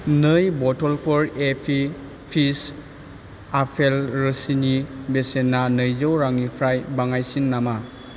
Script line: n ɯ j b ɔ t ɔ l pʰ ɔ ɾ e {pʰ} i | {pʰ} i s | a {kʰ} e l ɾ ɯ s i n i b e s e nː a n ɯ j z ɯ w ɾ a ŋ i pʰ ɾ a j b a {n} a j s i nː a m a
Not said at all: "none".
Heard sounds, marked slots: pʰ, pʰ, pʰ, ŋ

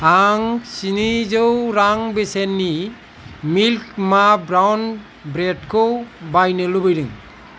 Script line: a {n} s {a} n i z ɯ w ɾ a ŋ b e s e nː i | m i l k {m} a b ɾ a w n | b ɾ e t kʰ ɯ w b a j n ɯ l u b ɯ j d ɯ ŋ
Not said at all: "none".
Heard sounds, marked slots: ŋ, i, m

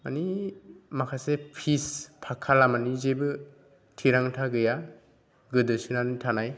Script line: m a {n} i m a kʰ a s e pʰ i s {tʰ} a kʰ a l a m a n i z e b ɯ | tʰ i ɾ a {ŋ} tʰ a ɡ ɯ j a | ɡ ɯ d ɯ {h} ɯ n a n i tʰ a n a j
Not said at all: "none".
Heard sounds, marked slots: n, pʰ, ŋ, s

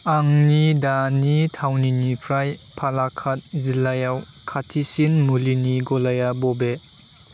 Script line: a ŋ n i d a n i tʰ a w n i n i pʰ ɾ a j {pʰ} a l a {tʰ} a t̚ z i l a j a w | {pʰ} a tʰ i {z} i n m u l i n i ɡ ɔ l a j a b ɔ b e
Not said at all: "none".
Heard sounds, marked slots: pʰ, kʰ, kʰ, s

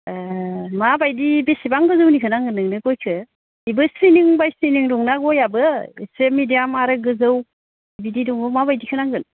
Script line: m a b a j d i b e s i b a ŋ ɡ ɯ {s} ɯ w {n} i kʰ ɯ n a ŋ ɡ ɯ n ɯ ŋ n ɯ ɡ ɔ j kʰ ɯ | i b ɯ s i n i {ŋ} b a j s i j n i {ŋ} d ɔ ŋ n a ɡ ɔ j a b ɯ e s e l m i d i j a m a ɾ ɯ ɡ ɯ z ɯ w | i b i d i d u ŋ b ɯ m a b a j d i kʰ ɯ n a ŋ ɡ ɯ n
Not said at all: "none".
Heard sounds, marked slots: z, n, ŋ, ŋ

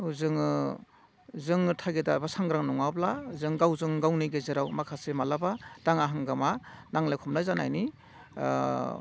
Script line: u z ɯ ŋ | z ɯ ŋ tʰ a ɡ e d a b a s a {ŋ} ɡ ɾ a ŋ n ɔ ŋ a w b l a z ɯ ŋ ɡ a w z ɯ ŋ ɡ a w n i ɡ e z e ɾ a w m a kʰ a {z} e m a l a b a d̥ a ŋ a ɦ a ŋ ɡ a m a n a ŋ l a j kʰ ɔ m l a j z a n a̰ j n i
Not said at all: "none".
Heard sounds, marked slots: ŋ, s

